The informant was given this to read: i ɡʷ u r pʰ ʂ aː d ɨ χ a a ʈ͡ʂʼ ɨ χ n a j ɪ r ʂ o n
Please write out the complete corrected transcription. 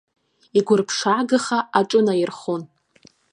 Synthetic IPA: i ɡʷ ʊ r pʰ ʂ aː ɡ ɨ χ a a ʈ͡ʂʼ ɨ n a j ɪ r χ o n